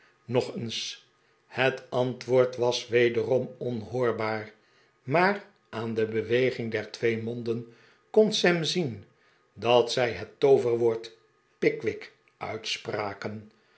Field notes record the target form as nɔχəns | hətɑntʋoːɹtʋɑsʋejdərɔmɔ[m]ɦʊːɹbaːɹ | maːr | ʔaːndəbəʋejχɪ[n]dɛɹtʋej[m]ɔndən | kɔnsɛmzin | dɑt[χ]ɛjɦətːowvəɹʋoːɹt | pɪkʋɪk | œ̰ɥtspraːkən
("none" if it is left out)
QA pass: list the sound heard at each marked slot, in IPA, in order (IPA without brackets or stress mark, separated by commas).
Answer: n, ŋ, m, s